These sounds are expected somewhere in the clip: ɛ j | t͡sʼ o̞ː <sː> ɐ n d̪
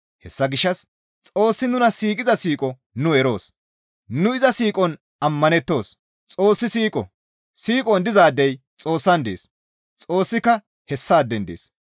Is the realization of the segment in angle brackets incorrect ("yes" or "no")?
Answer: no